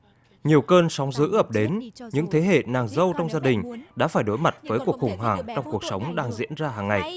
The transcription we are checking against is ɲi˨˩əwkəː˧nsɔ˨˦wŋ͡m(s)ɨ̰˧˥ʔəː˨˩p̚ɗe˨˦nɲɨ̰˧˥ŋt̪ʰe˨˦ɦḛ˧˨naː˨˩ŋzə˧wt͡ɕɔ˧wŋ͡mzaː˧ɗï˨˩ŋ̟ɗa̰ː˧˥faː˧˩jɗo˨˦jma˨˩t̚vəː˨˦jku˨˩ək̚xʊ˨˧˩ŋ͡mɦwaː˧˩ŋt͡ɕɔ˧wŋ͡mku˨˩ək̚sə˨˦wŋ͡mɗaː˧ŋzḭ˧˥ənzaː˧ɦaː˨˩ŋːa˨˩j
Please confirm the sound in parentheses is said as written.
no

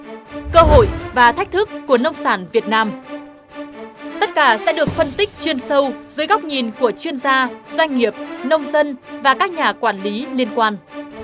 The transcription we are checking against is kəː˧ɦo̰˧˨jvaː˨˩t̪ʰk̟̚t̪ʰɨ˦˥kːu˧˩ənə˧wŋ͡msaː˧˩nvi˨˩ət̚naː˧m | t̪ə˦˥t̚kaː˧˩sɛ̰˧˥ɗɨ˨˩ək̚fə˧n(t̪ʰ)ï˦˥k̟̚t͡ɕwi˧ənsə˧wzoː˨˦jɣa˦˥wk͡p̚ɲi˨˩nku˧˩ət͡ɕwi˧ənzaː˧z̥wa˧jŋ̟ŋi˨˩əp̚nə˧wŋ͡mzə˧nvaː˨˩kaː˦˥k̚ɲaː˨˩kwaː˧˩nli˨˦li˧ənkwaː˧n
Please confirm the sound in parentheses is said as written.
no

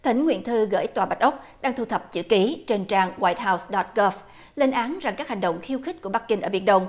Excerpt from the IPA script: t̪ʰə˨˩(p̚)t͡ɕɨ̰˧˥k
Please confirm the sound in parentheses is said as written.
yes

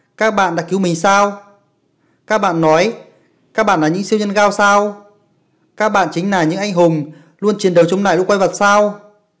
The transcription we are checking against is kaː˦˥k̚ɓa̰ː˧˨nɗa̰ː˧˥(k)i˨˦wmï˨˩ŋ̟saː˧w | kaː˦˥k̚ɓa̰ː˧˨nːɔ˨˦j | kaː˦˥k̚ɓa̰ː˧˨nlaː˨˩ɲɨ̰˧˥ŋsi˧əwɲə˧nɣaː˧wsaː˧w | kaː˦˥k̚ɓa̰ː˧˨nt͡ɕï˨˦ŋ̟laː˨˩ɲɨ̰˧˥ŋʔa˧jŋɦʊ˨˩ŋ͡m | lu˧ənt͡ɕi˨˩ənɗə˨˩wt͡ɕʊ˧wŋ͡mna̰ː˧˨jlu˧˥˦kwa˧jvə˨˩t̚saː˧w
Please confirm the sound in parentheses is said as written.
yes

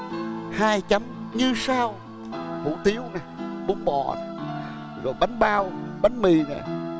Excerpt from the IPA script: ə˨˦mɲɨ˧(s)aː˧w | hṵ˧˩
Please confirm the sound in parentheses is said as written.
yes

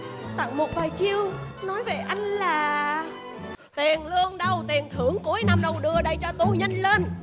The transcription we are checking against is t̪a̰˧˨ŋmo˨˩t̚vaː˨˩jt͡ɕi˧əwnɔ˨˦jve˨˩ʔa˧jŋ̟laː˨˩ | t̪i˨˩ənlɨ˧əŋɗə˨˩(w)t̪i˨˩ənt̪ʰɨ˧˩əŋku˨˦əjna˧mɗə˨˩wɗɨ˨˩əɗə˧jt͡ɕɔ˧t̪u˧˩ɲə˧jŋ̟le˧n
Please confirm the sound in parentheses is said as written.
yes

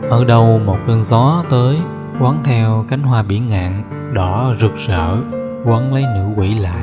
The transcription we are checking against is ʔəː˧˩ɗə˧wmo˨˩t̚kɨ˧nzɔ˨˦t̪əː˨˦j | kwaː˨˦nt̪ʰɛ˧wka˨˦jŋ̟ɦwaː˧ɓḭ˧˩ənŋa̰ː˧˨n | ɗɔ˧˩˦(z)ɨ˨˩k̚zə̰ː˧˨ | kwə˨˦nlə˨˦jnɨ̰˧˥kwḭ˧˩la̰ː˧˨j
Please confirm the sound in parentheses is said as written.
yes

